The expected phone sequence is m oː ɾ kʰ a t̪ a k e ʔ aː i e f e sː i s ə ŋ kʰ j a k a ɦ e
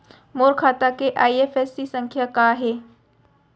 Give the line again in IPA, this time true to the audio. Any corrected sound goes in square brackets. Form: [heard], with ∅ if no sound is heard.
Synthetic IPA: m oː ɾ kʰ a t̪ a k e ʔ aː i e f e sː i s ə ŋ kʰ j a k a ɦ e